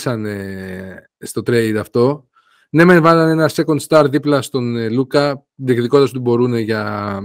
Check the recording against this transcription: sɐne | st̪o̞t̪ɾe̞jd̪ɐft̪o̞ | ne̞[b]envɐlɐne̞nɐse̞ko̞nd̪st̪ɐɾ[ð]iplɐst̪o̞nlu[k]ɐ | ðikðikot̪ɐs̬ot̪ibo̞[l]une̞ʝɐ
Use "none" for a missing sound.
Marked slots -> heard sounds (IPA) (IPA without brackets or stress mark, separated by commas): m, ð, k, ɾ